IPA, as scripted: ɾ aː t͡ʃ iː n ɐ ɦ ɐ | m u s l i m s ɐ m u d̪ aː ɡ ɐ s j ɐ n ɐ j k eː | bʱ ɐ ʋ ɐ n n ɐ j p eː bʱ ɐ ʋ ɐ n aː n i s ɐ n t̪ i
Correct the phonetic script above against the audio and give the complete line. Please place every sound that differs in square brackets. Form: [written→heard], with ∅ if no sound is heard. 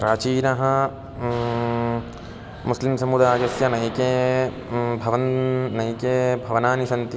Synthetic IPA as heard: ɾ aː t͡ʃ iː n ɐ ɦ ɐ | m u s l i m s ɐ m u d̪ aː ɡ ɐ s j ɐ n ɐ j k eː | bʱ ɐ ʋ ɐ n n ɐ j [p→k] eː bʱ ɐ ʋ ɐ n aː n i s ɐ n t̪ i